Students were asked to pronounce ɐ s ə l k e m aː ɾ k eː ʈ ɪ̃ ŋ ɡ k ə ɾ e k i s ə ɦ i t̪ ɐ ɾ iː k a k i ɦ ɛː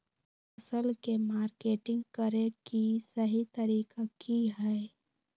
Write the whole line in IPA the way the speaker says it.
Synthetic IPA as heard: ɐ s ə l k e m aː ɾ k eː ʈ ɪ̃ ŋ ɡ k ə ɾ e k i s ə ɦ i t̪ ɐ ɾ iː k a k i ɦ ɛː